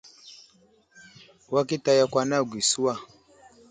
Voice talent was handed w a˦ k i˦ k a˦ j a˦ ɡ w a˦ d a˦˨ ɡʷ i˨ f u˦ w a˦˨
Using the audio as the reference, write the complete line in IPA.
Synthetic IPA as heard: w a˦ k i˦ t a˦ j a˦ k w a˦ n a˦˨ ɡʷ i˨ s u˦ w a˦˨